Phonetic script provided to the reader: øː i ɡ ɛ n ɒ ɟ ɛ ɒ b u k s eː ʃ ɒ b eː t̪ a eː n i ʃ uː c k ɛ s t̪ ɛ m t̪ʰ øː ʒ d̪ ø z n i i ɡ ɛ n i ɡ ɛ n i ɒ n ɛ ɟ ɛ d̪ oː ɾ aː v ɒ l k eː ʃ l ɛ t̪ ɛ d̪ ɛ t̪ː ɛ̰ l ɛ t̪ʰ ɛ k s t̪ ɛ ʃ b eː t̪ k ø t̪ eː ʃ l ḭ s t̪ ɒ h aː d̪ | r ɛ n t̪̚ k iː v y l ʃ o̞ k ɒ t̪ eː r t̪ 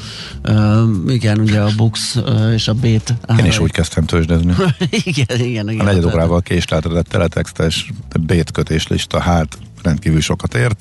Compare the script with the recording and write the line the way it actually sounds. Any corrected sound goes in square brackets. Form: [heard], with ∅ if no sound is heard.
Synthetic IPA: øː i ɡ ɛ n [u] ɟ ɛ ɒ b u k s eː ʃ ɒ b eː t̪ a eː n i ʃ uː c k ɛ s t̪ ɛ m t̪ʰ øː ʒ d̪ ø z n i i ɡ ɛ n i ɡ ɛ n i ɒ n ɛ ɟ ɛ d̪ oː ɾ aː v ɒ l k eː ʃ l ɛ t̪ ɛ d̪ ɛ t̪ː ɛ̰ l ɛ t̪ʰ ɛ k s t̪ ɛ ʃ b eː t̪ k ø t̪ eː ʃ l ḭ [ʃ] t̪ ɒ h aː [t̪] | r ɛ n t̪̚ k iː v y l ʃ o̞ k ɒ t̪ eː r t̪